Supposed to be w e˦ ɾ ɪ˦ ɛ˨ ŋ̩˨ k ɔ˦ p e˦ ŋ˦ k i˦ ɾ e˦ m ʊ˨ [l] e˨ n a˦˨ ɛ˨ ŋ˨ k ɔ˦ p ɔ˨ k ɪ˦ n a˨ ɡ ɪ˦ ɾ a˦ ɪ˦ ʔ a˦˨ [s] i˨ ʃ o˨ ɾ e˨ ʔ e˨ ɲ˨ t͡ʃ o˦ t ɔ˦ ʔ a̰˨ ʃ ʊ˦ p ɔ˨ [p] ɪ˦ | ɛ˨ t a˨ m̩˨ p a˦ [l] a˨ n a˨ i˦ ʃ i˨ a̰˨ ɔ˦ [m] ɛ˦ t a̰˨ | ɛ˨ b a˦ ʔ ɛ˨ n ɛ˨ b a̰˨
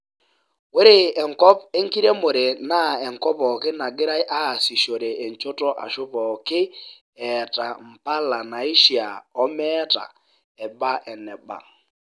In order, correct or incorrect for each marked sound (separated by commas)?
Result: incorrect, correct, incorrect, correct, correct